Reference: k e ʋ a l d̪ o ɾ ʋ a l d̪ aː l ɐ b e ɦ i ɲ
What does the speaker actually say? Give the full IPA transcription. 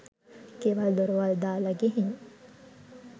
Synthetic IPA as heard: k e ʋ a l d̪ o ɾ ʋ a l d̪ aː l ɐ ɡ e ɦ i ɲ

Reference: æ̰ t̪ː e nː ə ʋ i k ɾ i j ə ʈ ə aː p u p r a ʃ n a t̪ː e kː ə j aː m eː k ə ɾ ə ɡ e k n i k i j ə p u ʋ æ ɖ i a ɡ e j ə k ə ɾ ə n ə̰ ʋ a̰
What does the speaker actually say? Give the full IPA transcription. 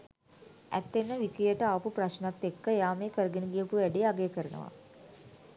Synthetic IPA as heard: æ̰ t̪ː e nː ə ʋ i k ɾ i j ə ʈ ə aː p u p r a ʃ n a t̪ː e kː ə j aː m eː k ə ɾ ə ɡ e n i ɡ i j ə p u ʋ æ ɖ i a ɡ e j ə k ə ɾ ə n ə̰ ʋ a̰

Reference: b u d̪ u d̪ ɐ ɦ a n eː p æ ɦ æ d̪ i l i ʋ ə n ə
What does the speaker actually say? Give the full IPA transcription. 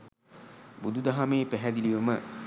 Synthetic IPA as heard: b u d̪ u d̪ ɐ ɦ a m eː p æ ɦ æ d̪ i l i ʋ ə m ə

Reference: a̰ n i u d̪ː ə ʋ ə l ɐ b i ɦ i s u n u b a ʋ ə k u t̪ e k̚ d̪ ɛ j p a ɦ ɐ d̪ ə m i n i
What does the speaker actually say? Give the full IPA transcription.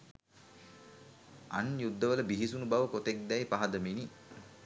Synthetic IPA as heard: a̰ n j u d̪ː ə ʋ ə l ə b i ɦ i s u n u b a ʋ ə k o t̪ e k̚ d̪ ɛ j p a ɦ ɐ d̪ ə m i n i

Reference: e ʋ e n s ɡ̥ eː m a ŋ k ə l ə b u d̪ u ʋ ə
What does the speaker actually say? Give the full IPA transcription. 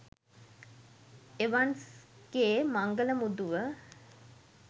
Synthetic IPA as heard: e ʋ a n s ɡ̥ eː m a ŋ ɡ ə l ə m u d̪ u ʋ ə

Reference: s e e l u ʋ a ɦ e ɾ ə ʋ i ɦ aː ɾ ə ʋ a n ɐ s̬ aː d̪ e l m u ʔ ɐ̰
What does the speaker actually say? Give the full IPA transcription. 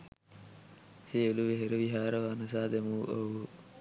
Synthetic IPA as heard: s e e l u ʋ e ɦ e ɾ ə ʋ i ɦ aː ɾ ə ʋ a n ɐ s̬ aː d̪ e m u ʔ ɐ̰

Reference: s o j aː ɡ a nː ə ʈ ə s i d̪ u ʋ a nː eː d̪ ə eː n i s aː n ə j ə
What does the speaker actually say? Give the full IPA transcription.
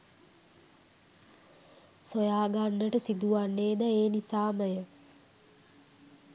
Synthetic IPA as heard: s o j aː ɡ a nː ə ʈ ə s i d̪ u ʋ a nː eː d̪ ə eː n i s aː m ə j ə

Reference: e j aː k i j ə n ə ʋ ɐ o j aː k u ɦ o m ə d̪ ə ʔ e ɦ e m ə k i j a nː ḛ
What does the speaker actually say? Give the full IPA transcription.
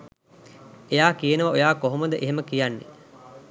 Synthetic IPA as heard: e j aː k i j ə n ə ʋ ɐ o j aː k o ɦ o m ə d̪ ə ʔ e ɦ e m ə k i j a nː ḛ

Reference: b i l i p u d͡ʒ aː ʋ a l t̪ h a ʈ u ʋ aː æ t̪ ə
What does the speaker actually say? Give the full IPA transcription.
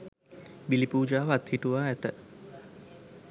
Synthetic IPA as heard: b i l i p uː d͡ʒ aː ʋ a t̪ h i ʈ u ʋ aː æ t̪ ə

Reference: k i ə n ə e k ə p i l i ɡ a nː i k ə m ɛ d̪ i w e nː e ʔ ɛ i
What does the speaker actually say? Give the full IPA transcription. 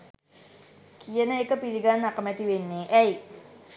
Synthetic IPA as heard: k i ə n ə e k ə p i l i ɡ a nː a k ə m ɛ t̪ i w e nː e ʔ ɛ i

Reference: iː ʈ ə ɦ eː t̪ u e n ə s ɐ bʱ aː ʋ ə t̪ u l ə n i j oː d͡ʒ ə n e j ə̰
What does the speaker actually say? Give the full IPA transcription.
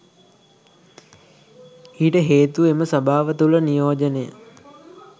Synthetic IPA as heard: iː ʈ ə ɦ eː t̪ u e m ə s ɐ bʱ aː ʋ ə t̪ u l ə n i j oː d͡ʒ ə n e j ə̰

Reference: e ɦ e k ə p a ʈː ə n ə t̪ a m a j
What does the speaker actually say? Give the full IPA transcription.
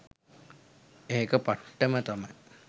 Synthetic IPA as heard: e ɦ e k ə p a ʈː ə m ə t̪ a m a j

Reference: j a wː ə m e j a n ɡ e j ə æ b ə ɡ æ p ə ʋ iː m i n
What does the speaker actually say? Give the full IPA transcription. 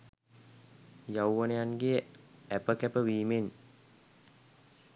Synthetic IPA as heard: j a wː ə n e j a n ɡ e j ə æ p ə k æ p ə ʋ iː m e n

